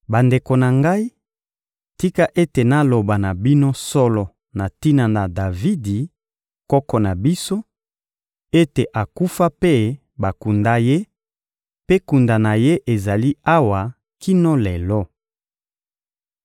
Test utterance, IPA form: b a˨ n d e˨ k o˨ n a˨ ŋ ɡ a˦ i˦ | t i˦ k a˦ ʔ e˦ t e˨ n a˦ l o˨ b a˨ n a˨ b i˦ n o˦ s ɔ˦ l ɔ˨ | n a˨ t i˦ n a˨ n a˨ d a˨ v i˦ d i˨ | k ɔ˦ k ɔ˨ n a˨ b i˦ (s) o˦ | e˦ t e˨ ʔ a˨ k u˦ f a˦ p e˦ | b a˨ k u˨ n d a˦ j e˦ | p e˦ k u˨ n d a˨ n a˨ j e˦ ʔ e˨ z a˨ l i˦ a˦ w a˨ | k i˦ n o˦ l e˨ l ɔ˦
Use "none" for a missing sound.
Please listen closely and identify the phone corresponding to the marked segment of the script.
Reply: s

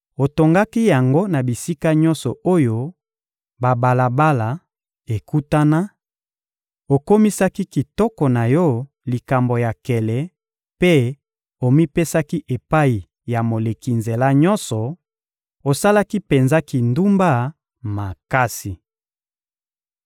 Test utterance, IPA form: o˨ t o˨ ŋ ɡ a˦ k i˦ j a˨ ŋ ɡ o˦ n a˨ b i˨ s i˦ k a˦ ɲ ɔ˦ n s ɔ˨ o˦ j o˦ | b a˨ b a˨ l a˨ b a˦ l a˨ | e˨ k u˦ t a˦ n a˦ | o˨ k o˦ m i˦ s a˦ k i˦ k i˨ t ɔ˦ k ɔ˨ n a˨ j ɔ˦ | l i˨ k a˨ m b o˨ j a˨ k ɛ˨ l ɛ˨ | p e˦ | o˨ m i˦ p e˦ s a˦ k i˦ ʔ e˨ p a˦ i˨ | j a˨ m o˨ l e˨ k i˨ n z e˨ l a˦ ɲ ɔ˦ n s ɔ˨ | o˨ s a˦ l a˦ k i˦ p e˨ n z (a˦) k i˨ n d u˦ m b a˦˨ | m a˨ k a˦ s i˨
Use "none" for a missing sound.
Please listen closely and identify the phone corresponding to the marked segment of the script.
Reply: a˦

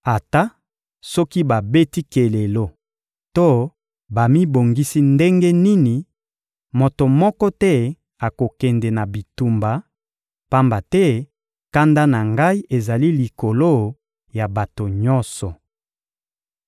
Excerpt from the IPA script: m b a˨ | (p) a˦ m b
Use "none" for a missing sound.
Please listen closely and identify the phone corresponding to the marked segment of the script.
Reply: p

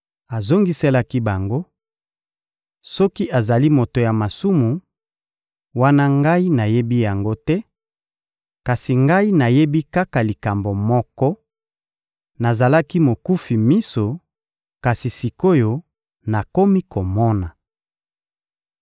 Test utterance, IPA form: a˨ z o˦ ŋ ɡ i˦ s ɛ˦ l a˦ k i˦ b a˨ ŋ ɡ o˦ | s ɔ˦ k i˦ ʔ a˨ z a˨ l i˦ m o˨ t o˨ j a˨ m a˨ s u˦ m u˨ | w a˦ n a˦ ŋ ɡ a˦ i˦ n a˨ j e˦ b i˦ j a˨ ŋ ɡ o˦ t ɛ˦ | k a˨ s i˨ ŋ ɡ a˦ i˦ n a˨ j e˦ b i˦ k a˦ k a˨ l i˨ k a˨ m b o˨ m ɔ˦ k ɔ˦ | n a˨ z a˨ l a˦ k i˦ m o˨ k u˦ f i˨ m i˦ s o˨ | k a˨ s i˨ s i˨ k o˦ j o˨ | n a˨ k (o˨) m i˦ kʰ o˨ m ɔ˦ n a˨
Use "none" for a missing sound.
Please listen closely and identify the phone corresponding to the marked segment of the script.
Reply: o˦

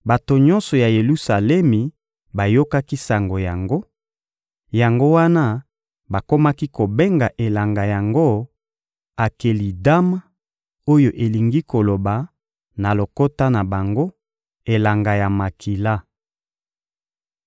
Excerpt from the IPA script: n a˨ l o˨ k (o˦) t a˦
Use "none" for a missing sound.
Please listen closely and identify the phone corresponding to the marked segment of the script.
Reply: o˦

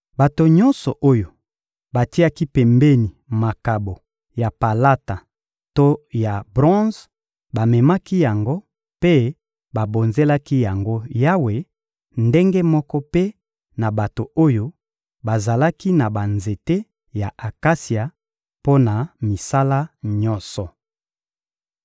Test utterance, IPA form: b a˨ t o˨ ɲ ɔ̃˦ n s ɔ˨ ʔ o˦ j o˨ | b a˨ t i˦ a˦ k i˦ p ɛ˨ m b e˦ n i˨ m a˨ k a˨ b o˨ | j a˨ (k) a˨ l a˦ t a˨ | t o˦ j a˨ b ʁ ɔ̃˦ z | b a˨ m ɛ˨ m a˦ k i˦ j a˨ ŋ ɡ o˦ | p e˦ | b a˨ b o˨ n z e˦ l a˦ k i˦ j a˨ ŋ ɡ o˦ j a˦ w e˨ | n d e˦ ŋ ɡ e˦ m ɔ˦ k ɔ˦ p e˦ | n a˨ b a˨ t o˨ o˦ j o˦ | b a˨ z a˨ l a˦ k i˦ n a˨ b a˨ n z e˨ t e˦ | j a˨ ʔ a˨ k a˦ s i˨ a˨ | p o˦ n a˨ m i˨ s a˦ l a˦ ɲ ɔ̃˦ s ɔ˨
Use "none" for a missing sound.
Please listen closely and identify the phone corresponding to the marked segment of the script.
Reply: p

